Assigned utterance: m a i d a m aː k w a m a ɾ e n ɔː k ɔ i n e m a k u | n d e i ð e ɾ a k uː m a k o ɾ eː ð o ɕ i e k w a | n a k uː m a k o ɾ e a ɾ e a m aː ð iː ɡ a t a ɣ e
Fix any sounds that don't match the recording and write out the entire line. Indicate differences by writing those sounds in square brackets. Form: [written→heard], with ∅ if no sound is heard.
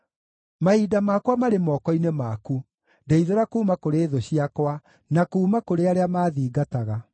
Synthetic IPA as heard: m a i d a m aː k w a m a ɾ e [n→m] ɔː k ɔ i n e m a k u | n d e i ð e ɾ a k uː m a k o ɾ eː ð o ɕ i [e→a] k w a | n a k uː m a k o ɾ e a ɾ e a m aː ð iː ɡ a t a ɣ [e→a]